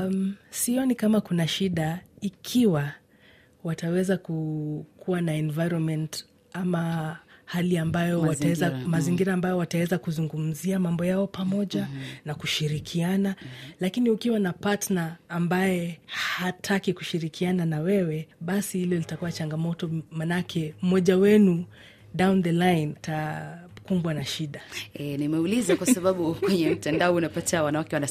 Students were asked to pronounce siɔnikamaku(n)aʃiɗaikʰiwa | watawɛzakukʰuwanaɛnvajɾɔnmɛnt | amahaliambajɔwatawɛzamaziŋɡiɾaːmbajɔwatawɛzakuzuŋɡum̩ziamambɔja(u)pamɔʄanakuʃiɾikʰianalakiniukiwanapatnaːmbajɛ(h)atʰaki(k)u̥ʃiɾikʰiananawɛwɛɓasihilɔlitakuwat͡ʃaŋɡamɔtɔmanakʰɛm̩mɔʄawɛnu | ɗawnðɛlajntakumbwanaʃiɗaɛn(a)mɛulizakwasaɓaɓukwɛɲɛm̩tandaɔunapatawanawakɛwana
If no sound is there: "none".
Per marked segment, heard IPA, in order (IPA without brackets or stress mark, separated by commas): n, ɔ, h, k, i